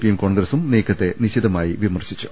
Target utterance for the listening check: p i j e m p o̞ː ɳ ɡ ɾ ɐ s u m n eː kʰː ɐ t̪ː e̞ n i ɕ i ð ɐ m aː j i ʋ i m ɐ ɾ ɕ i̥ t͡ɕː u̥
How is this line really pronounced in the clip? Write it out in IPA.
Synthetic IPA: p i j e m k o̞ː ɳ ɡ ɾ ɐ s u m n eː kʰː ɐ t̪ː e̞ n i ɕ i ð ɐ m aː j i ʋ i m ɐ r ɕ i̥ t͡ɕː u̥